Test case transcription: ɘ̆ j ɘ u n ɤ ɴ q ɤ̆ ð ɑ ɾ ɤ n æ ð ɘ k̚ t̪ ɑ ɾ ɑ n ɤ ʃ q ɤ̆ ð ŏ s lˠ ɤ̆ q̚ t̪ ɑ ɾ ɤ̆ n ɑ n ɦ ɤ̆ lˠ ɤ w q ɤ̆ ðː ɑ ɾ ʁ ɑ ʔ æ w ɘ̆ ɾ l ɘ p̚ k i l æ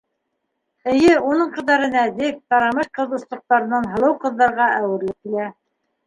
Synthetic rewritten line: ɘ̆ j ɘ u n ɤ ɴ q ɤ̆ ð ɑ ɾ ɤ n æ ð ɘ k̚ t̪ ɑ ɾ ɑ m ɤ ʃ q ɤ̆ ð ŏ s lˠ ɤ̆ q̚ t̪ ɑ ɾ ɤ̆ n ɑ n ɦ ɤ̆ lˠ ɤ w q ɤ̆ ðː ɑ ɾ ʁ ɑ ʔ æ w ɘ̆ ɾ l ɘ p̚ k i l æ

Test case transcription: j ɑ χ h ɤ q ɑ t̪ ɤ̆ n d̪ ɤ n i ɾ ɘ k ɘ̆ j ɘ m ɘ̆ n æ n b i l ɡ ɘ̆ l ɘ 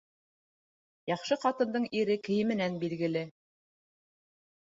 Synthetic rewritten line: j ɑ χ ʃ ɤ q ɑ t̪ ɤ̆ n d̪ ɤ ɴ i ɾ ɘ k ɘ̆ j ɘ m ɘ̆ n æ n b i l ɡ ɘ̆ l ɘ

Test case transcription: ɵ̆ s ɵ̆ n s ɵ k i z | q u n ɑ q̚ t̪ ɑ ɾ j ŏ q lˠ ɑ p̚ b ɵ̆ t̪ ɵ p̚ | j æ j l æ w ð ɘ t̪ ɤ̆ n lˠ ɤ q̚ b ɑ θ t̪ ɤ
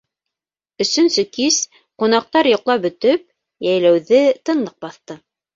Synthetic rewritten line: ɵ̆ s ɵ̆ n s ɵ k i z | q u n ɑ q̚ t̪ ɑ ɾ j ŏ q lˠ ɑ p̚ b ɵ̆ t̪ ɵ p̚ | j æ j l æ w ð ɘ t̪ ɤ̆ n lˠ ɤ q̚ b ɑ θ t̪ ɤ

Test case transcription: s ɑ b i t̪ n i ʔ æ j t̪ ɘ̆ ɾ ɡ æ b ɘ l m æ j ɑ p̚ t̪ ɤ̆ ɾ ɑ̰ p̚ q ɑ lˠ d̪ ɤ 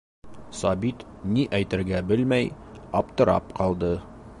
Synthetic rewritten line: s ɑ b i t̪ n i ʔ æ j t̪ ɘ̆ ɾ ɡ æ b ɘ l m æ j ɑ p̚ t̪ ɤ̆ ɾ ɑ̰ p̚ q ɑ lˠ d̪ ɤ

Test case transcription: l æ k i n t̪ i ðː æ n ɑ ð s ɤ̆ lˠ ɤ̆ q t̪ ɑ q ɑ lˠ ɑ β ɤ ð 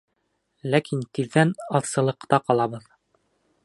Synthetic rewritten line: l æ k i n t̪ i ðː æ n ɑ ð s ɤ̆ lˠ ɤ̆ q t̪ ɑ q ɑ lˠ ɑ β ɤ ð

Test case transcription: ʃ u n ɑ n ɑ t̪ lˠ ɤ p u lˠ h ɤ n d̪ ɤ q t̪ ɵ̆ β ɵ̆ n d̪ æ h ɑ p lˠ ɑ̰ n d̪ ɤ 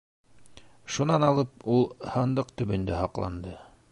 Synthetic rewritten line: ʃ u n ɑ n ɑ lˠ ɤ p u lˠ h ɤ n d̪ ɤ q t̪ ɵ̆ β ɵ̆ n d̪ æ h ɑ q lˠ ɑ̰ n d̪ ɤ

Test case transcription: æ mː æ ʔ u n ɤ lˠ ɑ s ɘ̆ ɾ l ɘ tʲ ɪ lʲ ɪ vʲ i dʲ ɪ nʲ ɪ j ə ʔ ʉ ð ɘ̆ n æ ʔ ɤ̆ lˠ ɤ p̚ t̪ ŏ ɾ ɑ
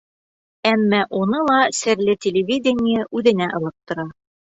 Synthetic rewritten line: æ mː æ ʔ u n ɤ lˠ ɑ s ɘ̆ ɾ l ɘ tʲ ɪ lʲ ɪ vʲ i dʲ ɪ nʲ ɪ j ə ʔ ʉ ð ɘ̆ n æ ʔ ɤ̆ lˠ ɤ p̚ t̪ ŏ ɾ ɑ

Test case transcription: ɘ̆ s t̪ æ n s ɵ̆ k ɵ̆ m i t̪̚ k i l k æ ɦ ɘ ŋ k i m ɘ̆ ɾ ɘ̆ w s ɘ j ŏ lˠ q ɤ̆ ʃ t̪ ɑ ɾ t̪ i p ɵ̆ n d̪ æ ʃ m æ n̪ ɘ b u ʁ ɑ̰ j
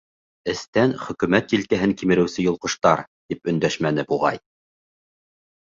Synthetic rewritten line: ɘ̆ s t̪ æ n χ ɵ̆ k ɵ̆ m æ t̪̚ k i l k æ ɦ ɘ ŋ k i m ɘ̆ ɾ ɘ̆ w s ɘ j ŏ lˠ q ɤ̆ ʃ t̪ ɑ ɾ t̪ i p ɵ̆ n d̪ æ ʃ m æ n̪ ɘ b u ʁ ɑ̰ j

